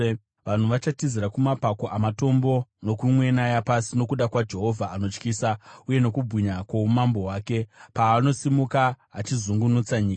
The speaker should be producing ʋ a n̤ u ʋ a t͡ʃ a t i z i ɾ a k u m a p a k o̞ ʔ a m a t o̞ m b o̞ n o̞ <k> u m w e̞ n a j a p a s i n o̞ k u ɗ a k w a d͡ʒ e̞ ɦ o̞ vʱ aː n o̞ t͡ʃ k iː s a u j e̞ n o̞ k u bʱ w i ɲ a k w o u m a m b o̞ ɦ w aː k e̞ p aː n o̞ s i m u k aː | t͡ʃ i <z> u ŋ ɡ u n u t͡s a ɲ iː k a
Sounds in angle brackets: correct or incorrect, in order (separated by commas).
correct, correct